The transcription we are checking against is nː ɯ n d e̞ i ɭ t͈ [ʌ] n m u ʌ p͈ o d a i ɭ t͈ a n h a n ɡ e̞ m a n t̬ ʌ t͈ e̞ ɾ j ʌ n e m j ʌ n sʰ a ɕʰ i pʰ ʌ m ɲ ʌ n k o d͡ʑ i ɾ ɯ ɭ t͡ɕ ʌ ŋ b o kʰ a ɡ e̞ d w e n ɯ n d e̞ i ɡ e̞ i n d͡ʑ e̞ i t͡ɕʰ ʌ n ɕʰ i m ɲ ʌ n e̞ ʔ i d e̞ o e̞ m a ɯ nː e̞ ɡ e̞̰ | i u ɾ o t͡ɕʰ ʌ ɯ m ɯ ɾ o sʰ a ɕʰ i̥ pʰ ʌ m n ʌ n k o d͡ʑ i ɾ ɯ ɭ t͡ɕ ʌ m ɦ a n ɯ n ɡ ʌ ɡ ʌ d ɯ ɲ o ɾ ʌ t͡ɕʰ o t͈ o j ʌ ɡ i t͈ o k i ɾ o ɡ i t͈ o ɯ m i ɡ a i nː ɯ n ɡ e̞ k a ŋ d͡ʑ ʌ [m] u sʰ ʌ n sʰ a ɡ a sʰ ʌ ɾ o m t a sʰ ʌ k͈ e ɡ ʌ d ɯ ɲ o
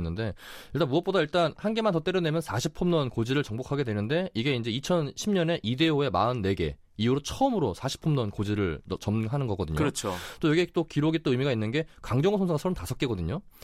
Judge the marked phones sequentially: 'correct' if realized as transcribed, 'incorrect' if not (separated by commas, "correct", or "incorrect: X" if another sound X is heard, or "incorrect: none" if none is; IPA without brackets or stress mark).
incorrect: a, incorrect: ŋ